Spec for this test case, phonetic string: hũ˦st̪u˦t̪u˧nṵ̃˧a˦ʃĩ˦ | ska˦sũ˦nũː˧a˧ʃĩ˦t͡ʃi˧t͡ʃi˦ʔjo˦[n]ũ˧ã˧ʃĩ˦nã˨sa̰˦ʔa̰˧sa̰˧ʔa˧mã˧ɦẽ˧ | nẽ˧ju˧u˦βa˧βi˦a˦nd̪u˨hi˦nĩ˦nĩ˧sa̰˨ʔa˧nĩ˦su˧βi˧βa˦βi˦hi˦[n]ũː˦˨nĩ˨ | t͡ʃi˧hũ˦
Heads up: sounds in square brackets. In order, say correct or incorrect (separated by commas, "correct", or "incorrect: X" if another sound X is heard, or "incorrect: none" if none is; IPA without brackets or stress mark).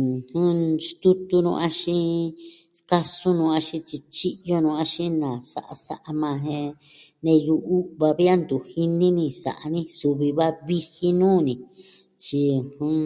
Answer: correct, correct